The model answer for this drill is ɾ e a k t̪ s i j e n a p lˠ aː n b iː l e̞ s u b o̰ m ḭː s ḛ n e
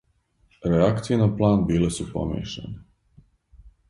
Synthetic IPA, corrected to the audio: ɾ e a k t̪ s i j e n a p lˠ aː n b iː l e̞ s u p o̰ m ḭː ʃ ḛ n e